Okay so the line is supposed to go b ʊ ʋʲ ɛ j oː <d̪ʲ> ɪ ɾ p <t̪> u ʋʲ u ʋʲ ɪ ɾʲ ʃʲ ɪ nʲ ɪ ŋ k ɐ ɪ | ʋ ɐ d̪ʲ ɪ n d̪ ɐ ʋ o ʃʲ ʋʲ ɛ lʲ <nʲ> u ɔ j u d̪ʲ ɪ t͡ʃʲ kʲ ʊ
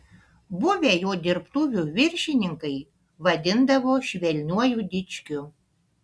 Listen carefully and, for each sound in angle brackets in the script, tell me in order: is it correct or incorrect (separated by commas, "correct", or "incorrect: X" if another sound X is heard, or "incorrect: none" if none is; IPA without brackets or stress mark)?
correct, correct, correct